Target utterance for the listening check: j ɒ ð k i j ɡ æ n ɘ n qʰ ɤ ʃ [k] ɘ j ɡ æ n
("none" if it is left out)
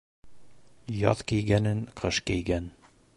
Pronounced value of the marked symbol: k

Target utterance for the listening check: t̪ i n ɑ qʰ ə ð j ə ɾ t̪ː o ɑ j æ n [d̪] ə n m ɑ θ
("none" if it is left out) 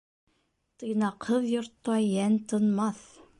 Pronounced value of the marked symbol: t̪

